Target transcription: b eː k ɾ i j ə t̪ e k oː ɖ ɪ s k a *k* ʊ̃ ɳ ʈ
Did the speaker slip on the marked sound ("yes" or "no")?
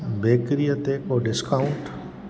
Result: yes